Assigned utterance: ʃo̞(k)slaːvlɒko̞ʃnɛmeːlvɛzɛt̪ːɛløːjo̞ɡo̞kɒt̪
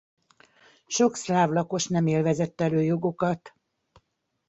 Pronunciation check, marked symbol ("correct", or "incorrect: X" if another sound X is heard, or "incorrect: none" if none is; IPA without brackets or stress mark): correct